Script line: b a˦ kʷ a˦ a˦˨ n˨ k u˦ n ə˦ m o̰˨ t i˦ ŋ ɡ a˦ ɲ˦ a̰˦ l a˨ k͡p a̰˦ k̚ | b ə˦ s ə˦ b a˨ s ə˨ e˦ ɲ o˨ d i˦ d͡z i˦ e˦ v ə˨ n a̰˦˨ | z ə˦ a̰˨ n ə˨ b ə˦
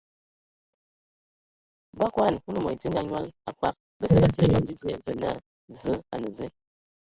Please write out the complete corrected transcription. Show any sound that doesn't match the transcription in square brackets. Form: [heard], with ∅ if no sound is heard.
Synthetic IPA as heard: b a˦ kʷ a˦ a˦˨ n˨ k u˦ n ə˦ m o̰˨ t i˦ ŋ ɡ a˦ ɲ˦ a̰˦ l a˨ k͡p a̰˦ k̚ | b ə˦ s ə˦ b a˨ s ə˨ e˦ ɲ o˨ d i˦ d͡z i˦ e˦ v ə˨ n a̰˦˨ | z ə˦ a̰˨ n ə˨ [v] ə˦